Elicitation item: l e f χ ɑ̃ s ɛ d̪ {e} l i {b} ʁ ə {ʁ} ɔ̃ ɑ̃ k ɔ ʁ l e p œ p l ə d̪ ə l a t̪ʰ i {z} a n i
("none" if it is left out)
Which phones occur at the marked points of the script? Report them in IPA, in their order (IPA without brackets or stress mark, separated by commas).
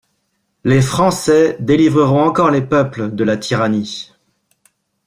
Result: e, v, ʁ, ʁ